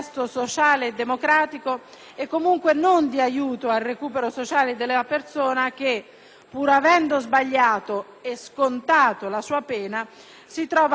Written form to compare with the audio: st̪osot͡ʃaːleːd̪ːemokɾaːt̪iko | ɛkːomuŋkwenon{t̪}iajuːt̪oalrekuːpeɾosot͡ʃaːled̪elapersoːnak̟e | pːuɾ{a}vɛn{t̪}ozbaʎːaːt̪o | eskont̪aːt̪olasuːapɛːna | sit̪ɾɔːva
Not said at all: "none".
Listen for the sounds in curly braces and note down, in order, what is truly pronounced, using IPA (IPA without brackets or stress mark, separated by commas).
d̪, a, d̪